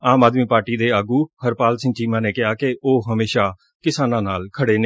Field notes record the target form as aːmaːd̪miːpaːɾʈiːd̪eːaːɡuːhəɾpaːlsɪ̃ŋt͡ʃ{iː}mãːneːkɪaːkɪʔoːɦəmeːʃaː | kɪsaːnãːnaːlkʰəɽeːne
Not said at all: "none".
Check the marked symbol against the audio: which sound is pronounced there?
iː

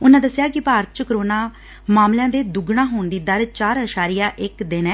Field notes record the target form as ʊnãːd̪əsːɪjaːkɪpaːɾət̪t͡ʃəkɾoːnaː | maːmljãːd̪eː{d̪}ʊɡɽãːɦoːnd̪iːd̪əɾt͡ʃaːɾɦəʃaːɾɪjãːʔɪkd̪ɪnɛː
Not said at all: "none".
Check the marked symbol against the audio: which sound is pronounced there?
d̪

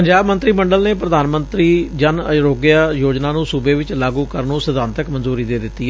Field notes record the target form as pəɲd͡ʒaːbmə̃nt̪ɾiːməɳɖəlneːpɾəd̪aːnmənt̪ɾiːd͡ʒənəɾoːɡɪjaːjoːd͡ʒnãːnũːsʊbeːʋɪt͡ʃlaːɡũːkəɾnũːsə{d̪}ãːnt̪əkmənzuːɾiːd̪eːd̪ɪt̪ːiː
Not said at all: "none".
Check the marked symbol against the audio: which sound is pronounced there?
d̪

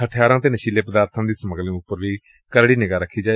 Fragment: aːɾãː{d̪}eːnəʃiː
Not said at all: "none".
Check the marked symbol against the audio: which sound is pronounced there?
t̪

